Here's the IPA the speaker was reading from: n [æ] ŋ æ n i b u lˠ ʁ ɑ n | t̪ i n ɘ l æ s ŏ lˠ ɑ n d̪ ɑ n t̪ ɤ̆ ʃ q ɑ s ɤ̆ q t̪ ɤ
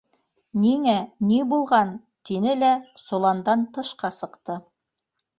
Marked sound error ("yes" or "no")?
yes